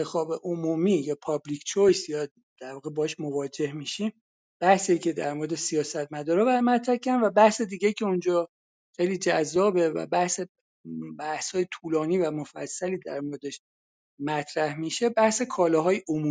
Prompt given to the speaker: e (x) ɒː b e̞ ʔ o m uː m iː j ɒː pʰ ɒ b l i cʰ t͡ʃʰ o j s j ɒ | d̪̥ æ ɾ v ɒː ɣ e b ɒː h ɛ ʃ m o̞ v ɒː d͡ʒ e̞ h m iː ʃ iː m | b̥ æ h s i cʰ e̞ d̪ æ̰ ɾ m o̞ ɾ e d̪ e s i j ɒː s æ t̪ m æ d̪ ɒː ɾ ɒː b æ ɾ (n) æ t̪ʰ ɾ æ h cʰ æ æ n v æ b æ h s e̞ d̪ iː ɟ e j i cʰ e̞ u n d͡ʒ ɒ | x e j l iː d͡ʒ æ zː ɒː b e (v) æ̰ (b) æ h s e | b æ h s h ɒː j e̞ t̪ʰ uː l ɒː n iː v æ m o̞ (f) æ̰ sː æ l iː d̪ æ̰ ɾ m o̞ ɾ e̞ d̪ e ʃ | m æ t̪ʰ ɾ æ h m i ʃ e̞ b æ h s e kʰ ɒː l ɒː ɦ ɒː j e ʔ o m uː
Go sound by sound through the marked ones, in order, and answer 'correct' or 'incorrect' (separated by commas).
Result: correct, incorrect, correct, correct, correct